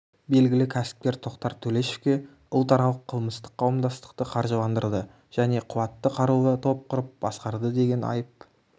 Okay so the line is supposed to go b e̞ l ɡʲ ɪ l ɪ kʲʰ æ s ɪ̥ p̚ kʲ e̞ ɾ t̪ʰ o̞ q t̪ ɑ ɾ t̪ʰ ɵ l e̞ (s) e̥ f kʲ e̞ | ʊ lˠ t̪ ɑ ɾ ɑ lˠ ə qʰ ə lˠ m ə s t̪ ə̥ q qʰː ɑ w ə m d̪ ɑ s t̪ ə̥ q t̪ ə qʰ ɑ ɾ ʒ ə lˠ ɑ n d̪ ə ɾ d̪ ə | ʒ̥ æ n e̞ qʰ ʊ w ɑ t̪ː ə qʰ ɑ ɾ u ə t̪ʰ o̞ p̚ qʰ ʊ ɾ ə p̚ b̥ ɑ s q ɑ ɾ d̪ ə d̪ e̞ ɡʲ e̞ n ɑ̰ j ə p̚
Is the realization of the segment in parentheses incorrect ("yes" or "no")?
yes